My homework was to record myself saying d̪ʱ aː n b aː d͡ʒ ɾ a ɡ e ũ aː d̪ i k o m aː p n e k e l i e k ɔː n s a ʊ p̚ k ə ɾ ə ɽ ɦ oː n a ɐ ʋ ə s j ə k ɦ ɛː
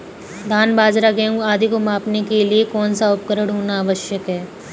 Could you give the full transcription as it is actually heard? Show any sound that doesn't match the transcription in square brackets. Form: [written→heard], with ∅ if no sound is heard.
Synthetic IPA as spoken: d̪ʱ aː n b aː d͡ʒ ɾ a ɡ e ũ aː d̪ i k o m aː p n e k e l i e k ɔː n s a ʊ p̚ k ə ɾ ə ɽ ɦ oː n a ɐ ʋ ə [s→ʃ] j ə k ɦ ɛː